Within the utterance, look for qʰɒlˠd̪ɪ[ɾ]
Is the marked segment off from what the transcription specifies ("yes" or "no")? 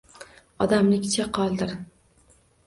no